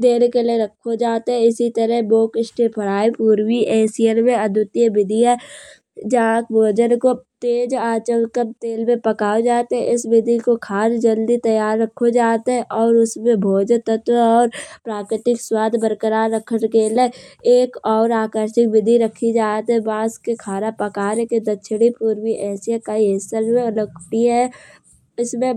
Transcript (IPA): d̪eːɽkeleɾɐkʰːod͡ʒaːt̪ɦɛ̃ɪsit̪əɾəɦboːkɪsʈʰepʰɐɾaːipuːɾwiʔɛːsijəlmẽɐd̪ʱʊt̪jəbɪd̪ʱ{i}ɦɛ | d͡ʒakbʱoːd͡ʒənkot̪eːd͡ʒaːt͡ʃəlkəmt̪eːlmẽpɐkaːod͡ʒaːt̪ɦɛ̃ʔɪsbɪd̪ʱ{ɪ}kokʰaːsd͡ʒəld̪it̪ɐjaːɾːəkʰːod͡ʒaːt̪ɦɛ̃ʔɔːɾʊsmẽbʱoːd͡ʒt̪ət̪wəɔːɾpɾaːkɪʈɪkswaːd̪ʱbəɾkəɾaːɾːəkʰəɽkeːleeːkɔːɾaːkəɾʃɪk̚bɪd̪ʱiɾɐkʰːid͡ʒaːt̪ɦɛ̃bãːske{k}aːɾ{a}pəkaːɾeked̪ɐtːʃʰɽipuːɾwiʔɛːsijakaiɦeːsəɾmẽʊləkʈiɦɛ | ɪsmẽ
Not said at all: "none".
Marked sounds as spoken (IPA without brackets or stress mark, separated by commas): i, i, kʰ, a